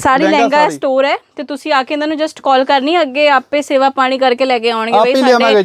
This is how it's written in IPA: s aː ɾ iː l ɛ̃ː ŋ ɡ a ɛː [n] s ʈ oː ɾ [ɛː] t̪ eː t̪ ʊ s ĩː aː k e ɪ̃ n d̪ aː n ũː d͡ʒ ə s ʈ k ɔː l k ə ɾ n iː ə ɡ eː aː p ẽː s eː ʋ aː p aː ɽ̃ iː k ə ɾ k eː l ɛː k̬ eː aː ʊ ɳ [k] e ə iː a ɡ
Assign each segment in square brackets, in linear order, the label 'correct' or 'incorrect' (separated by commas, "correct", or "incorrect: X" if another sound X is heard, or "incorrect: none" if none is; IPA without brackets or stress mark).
incorrect: none, correct, incorrect: ɡ